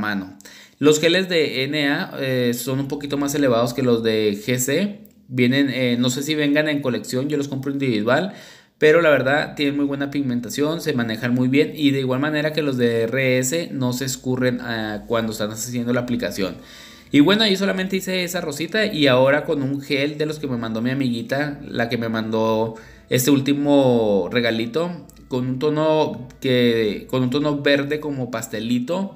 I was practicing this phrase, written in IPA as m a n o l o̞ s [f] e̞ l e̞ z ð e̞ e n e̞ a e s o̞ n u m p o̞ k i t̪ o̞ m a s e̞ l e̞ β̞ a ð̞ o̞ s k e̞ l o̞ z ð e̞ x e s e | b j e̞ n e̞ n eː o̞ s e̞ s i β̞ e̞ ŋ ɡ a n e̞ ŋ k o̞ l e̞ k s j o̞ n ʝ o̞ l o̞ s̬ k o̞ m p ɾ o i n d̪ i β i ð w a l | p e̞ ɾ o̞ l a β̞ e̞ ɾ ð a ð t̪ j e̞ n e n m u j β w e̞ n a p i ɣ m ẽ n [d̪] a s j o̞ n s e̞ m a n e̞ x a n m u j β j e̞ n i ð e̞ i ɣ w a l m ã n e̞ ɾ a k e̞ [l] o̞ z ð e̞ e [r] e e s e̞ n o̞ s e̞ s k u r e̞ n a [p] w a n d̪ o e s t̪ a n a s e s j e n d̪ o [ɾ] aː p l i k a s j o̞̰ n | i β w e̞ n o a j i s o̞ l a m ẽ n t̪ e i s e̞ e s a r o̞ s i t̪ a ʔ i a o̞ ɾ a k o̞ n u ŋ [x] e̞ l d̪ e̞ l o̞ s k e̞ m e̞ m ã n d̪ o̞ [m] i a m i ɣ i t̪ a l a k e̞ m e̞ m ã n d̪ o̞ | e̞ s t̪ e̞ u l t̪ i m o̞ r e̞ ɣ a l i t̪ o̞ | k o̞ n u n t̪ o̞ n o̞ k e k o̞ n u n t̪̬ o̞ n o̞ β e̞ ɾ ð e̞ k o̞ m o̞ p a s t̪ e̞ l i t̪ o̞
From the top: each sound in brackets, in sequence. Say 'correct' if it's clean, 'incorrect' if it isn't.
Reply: incorrect: x, incorrect: t̪, correct, correct, incorrect: k, incorrect: l, correct, correct

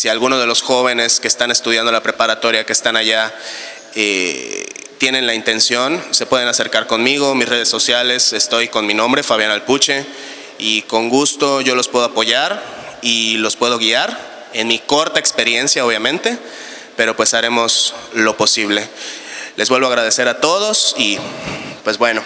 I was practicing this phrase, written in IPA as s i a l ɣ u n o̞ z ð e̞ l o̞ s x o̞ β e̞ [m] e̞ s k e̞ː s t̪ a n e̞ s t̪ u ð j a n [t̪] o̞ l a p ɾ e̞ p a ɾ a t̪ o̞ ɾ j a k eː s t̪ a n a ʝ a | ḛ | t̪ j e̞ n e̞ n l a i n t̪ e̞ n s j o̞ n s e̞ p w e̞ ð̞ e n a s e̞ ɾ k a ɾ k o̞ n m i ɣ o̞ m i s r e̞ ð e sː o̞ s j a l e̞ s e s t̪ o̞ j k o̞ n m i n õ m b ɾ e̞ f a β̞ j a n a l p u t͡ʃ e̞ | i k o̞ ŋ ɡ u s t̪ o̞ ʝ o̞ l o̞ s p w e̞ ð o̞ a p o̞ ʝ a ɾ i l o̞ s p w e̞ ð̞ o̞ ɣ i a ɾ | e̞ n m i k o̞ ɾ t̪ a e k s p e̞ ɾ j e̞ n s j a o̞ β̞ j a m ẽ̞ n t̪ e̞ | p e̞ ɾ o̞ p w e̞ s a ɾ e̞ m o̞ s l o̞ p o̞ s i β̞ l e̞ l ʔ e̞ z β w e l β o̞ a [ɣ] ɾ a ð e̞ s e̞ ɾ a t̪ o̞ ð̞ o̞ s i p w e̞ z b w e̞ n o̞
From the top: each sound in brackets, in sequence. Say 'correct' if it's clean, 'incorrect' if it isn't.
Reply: incorrect: n, incorrect: d̪, correct

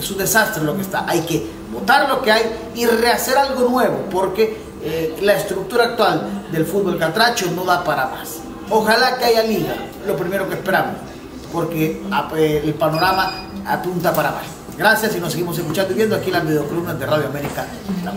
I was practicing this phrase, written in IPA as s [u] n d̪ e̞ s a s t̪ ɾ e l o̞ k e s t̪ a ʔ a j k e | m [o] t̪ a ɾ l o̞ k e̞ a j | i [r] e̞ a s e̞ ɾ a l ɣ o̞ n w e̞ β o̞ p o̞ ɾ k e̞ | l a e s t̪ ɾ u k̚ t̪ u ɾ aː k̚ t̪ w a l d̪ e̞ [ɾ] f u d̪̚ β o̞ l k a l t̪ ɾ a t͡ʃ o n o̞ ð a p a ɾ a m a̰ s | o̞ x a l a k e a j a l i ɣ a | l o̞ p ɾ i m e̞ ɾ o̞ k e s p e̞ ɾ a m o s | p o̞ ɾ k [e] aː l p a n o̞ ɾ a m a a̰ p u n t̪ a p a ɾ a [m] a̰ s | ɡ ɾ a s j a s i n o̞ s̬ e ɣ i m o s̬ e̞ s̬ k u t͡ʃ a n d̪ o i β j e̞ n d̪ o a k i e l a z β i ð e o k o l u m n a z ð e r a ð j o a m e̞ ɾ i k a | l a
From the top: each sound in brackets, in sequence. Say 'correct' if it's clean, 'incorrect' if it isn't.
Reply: correct, correct, correct, incorrect: l, correct, correct

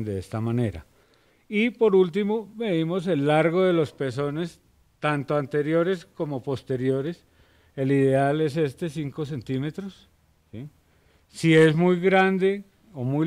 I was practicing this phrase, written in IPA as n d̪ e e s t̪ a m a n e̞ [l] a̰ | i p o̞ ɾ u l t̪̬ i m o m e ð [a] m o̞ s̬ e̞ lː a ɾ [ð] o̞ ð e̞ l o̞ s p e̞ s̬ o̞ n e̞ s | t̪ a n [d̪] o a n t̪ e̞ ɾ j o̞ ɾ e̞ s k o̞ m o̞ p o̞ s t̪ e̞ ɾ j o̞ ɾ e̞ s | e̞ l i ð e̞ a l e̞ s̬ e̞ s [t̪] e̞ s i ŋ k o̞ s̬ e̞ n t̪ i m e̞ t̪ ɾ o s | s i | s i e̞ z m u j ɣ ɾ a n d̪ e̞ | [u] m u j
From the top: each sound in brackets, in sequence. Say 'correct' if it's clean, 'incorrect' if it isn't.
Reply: incorrect: ɾ, incorrect: i, incorrect: ɣ, incorrect: t̪, correct, incorrect: o

